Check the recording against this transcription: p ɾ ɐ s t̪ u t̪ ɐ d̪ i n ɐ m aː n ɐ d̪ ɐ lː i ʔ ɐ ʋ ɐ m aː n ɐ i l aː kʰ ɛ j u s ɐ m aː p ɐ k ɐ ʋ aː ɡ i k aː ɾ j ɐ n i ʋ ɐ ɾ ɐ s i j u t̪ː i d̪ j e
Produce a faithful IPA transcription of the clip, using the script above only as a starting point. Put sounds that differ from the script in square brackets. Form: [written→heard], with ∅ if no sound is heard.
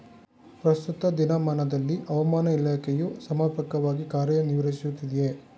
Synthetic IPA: p ɾ ɐ s t̪ u t̪ ɐ d̪ i n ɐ m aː n ɐ d̪ ɐ lː i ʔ ɐ ʋ ɐ m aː n ɐ i l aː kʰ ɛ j u s ɐ m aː p ɐ k ɐ ʋ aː ɡ i k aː ɾ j ɐ n i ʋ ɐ ɾ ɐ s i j u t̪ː i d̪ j e